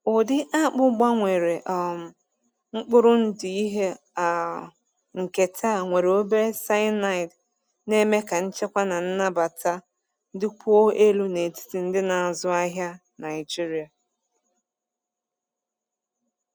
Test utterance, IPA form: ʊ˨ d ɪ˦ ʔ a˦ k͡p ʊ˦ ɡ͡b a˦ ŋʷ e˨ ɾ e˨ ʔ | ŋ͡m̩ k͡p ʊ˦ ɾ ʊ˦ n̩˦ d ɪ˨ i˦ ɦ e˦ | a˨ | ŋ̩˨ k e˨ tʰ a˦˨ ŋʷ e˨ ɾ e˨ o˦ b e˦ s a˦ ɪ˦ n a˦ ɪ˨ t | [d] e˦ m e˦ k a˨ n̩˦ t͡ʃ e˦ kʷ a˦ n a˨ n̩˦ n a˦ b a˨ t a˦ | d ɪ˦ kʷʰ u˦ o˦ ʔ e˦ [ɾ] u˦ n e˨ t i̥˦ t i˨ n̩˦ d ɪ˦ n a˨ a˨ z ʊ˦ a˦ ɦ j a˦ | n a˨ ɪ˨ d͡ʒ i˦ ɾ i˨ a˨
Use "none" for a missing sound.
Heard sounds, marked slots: n, l

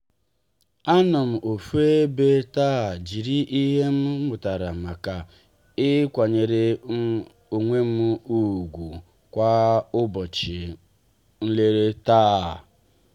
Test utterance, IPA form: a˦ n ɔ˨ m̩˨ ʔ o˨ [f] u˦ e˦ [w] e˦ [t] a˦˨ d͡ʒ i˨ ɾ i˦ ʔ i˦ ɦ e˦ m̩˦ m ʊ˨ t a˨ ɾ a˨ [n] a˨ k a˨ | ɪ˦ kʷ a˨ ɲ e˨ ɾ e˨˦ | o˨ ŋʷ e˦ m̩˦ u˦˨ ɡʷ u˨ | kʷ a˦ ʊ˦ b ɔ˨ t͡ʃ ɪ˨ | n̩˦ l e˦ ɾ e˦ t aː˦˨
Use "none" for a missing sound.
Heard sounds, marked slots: f, b, t, m

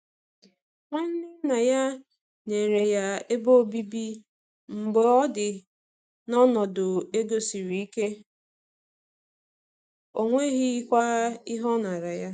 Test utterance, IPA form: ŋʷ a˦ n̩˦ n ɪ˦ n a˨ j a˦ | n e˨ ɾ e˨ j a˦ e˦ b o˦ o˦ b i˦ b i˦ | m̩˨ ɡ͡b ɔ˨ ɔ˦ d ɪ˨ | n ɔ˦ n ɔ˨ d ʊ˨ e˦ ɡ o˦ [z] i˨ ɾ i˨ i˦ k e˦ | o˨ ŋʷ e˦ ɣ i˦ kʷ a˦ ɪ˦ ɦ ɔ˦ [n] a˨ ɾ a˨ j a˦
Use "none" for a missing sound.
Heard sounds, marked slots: s, n

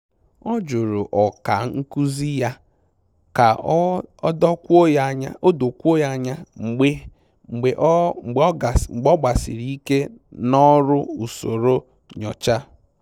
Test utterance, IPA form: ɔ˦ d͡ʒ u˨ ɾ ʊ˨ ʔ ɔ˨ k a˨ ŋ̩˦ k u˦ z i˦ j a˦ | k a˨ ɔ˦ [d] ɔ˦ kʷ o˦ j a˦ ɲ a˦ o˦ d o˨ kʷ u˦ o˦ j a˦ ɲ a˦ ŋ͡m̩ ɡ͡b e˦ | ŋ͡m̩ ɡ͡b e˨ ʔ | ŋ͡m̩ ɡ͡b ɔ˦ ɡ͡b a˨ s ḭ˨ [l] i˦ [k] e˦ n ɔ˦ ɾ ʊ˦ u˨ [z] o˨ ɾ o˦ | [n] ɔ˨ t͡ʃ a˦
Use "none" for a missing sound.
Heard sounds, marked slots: d, ɾ, k, s, ɲ

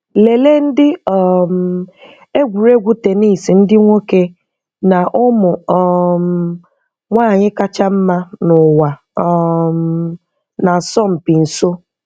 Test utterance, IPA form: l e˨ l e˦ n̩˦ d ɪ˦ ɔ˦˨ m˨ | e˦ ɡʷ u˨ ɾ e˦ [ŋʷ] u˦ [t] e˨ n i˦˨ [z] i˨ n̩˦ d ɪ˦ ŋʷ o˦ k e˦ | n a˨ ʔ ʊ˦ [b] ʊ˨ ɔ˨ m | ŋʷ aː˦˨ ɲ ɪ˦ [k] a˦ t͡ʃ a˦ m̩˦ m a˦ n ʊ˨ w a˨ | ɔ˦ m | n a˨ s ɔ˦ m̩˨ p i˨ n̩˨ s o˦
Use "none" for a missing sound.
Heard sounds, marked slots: ɡʷ, t, s, m, k

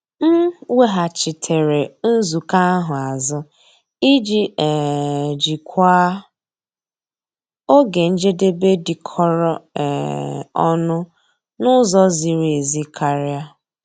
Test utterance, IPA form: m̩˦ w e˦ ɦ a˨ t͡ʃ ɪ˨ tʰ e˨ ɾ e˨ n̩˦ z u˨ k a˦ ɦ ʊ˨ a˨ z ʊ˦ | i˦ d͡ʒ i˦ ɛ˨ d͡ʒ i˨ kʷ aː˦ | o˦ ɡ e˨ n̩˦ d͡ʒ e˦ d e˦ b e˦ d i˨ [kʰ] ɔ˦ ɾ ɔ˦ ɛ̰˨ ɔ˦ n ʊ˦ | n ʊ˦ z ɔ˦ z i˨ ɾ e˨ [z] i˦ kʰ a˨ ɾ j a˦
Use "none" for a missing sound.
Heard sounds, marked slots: kʰ, z

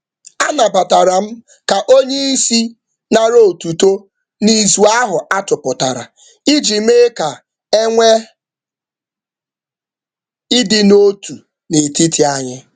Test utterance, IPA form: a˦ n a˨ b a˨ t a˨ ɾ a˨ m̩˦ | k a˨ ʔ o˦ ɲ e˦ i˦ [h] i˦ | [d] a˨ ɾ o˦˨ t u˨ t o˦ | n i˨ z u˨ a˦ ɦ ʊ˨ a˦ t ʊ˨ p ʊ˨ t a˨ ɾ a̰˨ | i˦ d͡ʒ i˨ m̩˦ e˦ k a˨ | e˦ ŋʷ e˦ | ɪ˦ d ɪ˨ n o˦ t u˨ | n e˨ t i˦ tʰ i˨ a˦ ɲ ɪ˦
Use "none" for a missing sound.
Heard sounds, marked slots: s, n

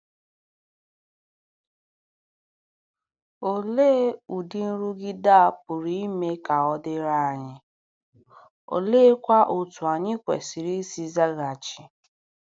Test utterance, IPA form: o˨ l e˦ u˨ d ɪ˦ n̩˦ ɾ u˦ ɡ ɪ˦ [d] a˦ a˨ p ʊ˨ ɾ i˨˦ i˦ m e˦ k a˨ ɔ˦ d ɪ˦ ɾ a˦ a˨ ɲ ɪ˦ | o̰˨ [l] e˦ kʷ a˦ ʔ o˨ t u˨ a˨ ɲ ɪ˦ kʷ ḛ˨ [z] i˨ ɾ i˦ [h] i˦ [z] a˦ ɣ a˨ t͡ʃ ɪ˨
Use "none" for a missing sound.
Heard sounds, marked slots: d, l, s, s, z

